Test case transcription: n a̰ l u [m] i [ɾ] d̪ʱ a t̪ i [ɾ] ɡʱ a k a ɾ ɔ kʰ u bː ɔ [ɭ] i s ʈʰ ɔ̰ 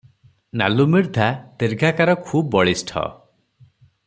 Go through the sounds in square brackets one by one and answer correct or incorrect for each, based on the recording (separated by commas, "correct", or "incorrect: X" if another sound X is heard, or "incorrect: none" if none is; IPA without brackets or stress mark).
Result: correct, correct, correct, correct